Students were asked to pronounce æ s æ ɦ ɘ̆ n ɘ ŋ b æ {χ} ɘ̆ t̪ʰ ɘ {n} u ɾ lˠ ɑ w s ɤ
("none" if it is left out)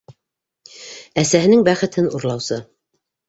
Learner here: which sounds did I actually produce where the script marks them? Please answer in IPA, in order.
χ, n

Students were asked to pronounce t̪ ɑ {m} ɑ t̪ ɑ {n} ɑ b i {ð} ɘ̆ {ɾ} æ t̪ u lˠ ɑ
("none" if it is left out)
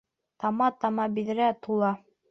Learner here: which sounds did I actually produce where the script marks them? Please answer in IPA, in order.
m, m, ð, ɾ

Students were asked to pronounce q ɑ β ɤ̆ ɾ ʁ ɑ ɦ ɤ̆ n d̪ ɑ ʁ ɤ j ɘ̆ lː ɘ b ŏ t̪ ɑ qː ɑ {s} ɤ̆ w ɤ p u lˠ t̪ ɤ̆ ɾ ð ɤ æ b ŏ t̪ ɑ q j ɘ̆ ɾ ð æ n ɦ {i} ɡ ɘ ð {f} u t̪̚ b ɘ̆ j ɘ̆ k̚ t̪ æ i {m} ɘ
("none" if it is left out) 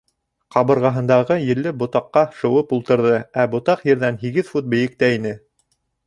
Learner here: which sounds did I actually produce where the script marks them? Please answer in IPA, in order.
ʃ, i, f, n

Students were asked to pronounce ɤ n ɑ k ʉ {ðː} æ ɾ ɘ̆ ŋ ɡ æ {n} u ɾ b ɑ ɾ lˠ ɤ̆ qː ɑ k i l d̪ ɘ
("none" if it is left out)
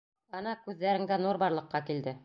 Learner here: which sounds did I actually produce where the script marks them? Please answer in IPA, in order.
ðː, n

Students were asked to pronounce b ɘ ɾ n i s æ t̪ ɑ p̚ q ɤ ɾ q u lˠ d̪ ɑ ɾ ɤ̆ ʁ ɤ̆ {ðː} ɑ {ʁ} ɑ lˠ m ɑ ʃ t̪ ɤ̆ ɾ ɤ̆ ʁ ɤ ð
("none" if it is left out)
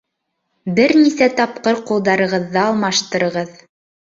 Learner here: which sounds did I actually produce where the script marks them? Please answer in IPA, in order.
ðː, none

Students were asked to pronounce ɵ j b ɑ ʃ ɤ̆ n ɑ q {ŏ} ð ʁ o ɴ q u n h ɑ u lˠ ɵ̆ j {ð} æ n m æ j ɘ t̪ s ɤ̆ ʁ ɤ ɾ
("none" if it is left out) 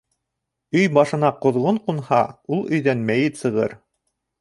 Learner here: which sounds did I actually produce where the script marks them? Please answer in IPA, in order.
ŏ, ð

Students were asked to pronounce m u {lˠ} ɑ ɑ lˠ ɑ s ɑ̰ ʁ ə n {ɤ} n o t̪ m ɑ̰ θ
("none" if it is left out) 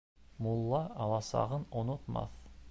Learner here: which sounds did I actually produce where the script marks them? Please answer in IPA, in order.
lˠː, o

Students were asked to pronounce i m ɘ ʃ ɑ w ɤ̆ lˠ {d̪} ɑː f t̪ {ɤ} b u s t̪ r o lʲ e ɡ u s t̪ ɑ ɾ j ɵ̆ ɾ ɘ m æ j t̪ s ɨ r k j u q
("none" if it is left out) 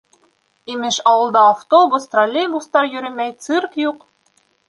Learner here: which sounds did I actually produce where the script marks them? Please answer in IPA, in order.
d̪, o

